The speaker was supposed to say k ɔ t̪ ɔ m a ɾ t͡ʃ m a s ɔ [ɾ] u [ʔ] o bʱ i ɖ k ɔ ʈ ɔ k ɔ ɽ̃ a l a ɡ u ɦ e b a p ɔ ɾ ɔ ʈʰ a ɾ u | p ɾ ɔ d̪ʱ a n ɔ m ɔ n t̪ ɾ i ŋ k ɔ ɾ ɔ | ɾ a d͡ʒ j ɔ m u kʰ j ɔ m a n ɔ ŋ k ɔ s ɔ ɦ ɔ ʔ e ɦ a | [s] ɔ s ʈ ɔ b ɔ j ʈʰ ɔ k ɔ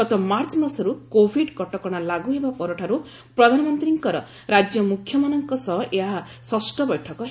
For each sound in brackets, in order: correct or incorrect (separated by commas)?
correct, incorrect, correct